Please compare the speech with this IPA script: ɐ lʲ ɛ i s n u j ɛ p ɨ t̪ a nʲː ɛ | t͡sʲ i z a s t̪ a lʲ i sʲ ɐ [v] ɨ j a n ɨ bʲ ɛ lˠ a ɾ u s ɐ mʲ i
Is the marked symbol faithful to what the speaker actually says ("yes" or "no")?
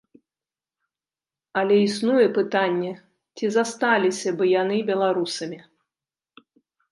no